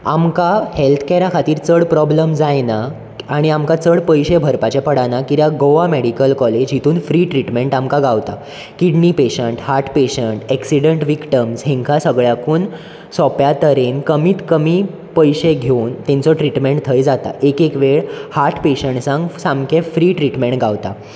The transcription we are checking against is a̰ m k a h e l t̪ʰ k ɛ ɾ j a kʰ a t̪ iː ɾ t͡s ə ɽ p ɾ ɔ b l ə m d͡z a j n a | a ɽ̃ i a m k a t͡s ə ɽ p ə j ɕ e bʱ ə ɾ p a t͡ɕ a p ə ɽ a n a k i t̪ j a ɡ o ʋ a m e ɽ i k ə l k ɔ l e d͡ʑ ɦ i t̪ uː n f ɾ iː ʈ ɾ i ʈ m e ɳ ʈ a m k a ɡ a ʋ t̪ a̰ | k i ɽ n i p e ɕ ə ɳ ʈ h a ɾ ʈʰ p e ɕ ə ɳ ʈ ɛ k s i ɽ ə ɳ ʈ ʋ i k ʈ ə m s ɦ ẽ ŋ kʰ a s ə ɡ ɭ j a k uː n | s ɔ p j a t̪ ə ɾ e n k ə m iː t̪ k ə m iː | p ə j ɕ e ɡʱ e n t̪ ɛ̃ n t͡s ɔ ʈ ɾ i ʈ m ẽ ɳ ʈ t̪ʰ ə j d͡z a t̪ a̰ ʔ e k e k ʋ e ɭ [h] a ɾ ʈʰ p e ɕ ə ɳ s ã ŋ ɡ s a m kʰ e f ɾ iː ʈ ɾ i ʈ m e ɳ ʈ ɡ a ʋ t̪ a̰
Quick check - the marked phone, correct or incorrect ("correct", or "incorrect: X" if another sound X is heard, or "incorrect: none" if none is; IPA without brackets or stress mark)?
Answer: correct